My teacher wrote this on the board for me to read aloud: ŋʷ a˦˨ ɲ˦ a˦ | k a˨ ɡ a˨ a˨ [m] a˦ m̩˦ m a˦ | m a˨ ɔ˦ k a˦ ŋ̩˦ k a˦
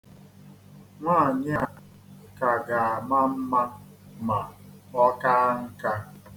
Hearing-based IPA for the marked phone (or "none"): m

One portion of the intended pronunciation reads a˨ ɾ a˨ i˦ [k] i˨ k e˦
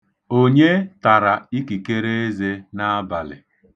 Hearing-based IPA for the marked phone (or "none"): k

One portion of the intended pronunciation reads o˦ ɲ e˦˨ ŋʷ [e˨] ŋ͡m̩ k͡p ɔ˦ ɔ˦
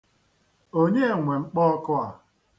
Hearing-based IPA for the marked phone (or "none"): e˨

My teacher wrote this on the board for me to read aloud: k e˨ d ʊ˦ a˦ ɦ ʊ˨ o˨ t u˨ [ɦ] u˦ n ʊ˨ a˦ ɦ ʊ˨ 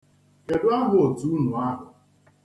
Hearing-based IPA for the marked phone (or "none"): none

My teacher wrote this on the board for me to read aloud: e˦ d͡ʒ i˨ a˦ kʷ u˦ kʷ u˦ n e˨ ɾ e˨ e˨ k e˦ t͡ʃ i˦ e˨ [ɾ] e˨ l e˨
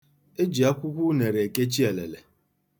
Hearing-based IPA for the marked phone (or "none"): l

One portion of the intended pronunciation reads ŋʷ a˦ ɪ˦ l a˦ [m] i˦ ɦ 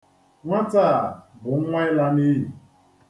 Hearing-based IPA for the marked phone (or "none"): n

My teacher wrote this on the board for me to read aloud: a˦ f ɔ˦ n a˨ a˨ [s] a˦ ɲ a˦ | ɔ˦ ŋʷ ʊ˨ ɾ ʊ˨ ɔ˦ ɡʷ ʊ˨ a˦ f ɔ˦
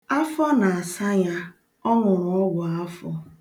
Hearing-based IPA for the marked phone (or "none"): s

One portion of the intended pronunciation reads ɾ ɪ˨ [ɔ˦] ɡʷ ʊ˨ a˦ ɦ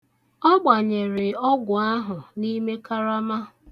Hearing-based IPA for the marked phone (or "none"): ɔ˦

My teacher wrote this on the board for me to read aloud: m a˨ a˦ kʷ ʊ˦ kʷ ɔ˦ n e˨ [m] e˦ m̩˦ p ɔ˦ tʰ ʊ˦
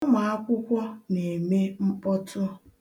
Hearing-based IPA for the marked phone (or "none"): m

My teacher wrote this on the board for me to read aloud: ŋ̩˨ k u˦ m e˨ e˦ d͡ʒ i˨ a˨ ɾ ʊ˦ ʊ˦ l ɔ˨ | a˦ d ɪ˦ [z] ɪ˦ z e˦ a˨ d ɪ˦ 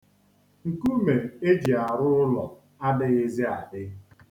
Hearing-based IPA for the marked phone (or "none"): ɣ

